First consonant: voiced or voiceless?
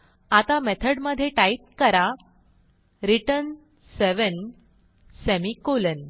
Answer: voiceless